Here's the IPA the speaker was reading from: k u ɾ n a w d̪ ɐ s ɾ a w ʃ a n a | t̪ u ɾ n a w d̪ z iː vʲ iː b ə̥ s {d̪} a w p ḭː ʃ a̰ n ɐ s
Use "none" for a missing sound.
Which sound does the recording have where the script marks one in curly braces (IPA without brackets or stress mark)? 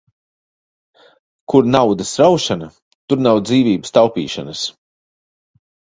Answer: t̪